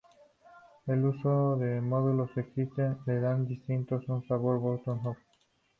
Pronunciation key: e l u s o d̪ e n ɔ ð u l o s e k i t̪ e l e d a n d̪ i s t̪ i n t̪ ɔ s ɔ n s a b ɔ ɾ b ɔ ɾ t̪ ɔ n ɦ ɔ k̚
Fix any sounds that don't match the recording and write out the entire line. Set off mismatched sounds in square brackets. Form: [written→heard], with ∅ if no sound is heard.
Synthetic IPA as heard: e l u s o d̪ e [n→m] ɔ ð u l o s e k i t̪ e l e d a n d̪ i s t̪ i n t̪ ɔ s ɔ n s a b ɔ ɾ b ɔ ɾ t̪ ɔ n ɦ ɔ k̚